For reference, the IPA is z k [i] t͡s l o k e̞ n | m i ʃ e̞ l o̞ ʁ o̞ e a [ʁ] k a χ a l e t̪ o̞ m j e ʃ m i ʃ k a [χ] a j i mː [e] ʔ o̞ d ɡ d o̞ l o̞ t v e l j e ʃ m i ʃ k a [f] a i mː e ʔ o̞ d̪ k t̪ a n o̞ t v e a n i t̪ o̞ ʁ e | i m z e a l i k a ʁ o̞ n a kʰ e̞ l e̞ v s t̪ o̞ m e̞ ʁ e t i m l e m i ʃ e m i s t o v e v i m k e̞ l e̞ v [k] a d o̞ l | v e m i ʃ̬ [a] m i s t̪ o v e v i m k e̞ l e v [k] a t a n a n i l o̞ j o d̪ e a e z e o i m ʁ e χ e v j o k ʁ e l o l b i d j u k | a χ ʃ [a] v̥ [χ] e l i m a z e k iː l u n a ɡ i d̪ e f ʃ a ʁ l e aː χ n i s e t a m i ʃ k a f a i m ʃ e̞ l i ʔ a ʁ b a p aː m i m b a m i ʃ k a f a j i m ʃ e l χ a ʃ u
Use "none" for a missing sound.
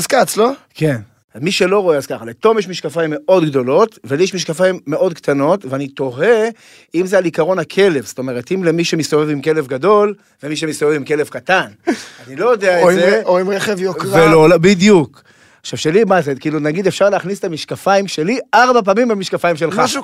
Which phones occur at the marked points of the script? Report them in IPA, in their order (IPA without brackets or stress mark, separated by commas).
a, z, f, e, f, ɡ, e, k, a, ʃ